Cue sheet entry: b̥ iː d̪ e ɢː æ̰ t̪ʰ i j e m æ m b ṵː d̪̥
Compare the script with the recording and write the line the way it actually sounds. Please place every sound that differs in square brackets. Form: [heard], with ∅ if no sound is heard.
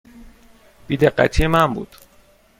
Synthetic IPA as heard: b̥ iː d̪ e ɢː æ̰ t̪ʰ i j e m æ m b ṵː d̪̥